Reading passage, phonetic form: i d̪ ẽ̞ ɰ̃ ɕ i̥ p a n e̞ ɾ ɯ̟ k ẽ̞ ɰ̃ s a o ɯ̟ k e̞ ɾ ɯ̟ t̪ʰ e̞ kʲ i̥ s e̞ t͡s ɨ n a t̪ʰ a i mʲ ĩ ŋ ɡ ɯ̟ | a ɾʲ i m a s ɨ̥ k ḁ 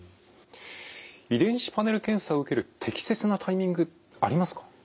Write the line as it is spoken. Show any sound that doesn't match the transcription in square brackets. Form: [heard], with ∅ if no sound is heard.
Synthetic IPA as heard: i d̪ ẽ̞ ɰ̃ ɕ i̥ p a n e̞ ɾ ɯ̟ k ẽ̞ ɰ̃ s a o ɯ̟ k e̞ ɾ ɯ̟ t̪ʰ e̞ kʲ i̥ s e̞ t͡s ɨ n a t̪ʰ a i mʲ ĩ ŋ ɡ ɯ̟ | a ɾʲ i m a s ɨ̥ k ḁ